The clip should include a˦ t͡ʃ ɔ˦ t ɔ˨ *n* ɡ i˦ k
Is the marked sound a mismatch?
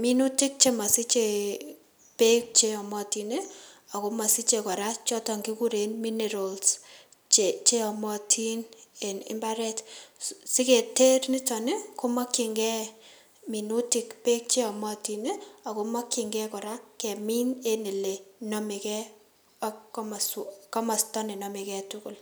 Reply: yes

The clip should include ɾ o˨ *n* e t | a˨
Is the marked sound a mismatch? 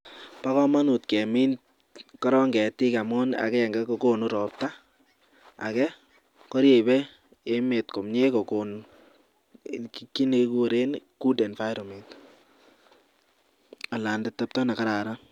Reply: yes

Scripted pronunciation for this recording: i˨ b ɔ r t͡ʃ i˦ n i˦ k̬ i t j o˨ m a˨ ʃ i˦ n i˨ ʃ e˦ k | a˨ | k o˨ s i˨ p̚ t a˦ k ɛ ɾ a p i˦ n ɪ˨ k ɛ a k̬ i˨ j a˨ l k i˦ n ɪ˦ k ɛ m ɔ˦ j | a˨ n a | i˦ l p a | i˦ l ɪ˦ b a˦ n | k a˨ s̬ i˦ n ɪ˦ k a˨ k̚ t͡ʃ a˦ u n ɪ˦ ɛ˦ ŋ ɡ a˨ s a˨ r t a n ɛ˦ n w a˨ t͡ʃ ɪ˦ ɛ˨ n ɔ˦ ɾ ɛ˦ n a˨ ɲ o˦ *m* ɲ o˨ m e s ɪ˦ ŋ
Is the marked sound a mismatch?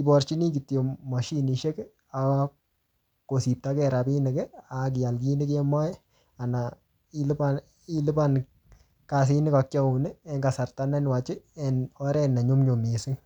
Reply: no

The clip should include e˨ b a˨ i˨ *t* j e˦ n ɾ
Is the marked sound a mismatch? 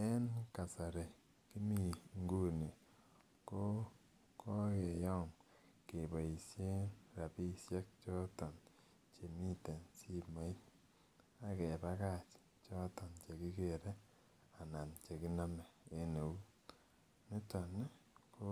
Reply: yes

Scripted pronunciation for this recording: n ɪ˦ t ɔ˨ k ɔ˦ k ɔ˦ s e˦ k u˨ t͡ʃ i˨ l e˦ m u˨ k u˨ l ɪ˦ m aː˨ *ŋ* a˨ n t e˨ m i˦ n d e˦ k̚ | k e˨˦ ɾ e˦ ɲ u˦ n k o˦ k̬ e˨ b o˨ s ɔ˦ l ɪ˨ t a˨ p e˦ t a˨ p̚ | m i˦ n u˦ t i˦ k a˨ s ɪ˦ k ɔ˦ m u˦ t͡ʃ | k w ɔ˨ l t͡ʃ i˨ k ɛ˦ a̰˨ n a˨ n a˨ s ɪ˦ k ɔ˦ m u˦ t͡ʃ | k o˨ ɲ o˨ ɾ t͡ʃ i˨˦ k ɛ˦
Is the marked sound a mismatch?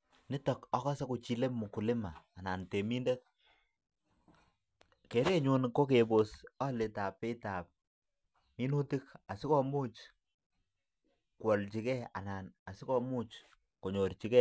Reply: yes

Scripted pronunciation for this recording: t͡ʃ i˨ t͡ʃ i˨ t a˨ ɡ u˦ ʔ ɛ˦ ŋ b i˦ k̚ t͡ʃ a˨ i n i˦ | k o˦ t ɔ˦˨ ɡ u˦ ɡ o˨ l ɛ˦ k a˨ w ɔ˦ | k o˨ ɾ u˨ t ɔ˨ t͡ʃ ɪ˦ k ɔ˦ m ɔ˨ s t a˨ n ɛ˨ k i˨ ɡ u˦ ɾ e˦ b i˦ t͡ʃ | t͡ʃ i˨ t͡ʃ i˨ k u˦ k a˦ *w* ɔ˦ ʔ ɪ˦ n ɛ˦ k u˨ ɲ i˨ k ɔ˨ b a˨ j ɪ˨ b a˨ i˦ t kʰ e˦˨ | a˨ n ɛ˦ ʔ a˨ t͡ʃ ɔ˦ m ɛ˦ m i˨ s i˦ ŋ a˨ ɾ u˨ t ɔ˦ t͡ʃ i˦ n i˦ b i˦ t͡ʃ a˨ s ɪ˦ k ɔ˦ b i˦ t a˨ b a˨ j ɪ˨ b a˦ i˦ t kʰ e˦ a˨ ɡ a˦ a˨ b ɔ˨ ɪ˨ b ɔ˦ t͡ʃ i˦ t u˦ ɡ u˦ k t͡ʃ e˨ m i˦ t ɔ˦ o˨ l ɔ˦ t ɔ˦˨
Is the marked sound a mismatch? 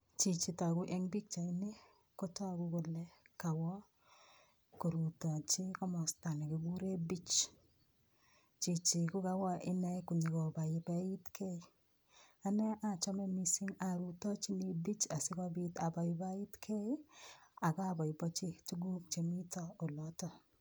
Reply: no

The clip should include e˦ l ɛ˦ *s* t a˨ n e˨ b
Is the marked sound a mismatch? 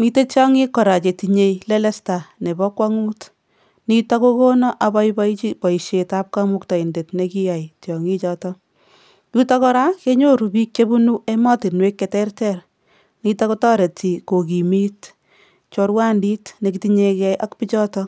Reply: no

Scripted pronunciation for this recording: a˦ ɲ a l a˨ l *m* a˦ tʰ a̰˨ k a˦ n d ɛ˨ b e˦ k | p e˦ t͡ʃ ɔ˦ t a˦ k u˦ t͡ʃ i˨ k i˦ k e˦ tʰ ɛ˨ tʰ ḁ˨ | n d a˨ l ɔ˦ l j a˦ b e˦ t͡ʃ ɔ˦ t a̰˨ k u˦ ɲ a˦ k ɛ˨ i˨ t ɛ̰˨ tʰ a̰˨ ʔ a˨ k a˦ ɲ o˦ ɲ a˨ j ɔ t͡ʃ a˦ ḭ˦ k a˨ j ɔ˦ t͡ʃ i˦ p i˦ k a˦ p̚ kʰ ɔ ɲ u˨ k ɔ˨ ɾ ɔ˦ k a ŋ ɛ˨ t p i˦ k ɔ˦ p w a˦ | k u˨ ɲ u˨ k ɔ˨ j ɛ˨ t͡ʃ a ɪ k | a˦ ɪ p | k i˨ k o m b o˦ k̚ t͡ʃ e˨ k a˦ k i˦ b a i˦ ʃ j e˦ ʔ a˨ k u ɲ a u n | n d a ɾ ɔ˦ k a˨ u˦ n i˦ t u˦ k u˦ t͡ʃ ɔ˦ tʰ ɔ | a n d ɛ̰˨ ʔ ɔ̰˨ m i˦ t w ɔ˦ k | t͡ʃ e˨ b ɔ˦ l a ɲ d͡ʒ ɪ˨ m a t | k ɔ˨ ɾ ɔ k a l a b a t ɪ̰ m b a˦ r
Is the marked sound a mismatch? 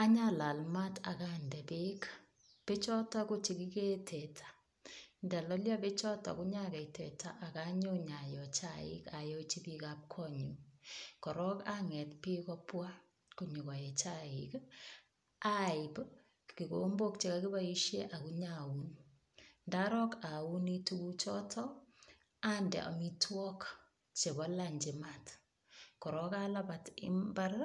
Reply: no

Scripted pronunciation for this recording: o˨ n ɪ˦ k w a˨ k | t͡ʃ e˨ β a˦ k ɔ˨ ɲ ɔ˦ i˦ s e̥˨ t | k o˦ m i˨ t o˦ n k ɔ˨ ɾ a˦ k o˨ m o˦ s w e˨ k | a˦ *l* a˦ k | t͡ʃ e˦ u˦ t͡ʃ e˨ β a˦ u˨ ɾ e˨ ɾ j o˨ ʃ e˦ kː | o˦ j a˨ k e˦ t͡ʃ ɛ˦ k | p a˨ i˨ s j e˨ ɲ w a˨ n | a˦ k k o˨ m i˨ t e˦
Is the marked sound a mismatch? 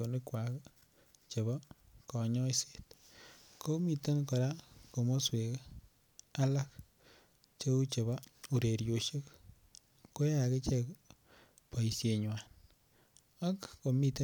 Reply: no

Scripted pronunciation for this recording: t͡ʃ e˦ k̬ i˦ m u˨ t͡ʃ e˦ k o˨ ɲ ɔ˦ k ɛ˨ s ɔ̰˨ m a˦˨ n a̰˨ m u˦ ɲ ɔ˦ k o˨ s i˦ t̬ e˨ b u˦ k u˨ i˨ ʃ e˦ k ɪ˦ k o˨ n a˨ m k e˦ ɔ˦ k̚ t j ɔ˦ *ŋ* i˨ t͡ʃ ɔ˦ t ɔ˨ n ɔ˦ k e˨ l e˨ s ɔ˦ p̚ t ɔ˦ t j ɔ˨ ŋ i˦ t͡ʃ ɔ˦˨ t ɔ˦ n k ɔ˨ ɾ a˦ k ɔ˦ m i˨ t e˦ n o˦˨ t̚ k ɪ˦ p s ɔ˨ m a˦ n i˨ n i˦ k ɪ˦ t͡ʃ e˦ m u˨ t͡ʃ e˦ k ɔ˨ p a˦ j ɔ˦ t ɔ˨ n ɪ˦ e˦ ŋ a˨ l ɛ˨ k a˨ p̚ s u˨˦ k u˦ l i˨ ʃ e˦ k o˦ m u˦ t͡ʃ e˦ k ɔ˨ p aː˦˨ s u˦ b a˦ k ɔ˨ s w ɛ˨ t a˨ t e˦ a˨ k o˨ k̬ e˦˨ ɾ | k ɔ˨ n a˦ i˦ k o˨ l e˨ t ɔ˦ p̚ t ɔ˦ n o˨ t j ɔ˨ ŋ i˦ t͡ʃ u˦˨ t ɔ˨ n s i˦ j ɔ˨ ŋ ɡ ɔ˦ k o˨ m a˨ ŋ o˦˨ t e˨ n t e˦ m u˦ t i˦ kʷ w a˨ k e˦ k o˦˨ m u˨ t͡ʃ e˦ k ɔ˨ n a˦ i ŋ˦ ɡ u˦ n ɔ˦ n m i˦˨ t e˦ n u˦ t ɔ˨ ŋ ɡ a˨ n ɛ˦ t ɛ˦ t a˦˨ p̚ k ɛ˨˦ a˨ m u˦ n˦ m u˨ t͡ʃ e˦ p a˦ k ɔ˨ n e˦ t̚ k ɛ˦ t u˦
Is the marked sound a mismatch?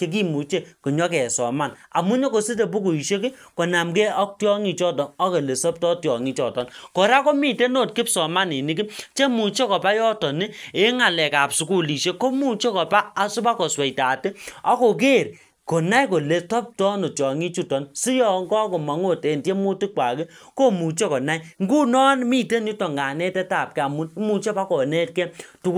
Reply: no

